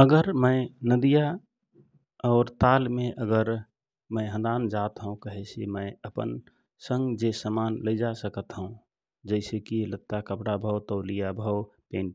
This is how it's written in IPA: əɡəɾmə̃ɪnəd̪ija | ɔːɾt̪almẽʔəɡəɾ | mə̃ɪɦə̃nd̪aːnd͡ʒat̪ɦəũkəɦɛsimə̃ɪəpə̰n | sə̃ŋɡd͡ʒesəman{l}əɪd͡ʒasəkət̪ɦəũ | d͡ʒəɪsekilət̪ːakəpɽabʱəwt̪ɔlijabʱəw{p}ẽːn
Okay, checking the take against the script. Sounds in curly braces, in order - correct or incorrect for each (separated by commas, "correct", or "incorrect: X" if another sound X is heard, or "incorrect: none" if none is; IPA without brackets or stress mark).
correct, correct